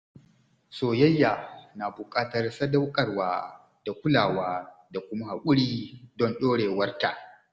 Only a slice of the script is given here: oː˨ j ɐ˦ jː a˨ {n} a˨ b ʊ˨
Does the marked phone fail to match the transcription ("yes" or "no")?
no